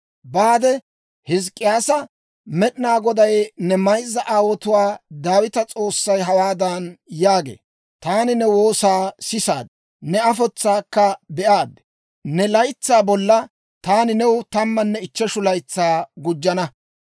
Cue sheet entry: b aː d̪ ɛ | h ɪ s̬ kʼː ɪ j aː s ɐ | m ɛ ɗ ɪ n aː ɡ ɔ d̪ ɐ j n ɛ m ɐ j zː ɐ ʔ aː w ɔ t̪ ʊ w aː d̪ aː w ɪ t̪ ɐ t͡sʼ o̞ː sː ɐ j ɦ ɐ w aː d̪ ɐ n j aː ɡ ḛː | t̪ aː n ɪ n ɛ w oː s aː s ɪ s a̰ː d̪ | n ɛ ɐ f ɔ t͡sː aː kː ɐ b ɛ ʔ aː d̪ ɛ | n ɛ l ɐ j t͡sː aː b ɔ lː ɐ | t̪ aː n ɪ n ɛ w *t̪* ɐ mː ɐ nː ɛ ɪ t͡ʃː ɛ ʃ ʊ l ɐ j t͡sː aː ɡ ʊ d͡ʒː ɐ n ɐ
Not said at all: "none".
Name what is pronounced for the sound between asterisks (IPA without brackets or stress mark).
t̪